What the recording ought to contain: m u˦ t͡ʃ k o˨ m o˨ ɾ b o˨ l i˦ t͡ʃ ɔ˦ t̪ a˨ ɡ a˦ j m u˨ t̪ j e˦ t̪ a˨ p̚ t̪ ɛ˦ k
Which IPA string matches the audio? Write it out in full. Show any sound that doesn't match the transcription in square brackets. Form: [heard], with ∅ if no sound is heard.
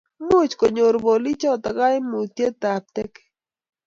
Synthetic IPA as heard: m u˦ t͡ʃ k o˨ [ɲ] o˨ ɾ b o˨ l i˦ t͡ʃ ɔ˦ t̪ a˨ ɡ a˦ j m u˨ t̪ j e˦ t̪ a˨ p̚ t̪ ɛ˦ k